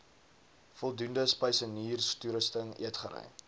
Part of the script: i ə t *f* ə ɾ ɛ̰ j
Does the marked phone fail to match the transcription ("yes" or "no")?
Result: yes